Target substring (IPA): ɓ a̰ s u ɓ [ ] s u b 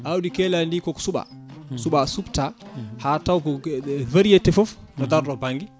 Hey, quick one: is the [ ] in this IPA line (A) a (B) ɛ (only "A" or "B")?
A